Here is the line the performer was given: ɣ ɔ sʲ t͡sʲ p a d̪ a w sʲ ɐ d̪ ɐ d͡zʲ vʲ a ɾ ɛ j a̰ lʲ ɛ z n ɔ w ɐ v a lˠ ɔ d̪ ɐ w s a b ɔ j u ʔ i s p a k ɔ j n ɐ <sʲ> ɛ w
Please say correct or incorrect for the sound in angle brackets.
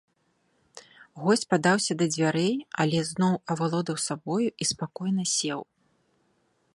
correct